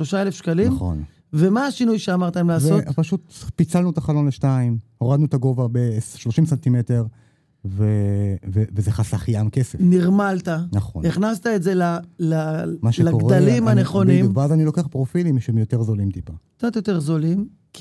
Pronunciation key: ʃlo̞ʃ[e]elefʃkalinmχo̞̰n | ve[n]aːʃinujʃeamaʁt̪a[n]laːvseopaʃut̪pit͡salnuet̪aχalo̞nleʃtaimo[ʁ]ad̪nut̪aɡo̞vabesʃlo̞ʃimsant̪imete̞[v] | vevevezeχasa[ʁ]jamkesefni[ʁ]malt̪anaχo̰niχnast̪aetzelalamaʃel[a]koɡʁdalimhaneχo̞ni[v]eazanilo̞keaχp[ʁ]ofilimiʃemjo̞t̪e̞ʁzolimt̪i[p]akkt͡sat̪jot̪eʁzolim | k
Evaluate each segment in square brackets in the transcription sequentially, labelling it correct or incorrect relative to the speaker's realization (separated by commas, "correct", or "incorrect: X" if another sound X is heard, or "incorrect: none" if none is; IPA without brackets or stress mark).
incorrect: a, incorrect: m, incorrect: m, correct, incorrect: ʁ, incorrect: χ, correct, correct, correct, correct, correct